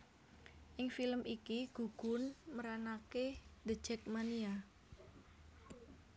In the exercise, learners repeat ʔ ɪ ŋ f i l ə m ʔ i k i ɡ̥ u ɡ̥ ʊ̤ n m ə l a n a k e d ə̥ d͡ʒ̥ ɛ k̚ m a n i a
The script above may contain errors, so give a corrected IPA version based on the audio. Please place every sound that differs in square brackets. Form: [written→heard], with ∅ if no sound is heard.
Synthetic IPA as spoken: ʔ ɪ ŋ f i l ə m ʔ i k i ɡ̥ u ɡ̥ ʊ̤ n m ə [l→ɾ] a n a k e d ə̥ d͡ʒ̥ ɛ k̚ m a n i a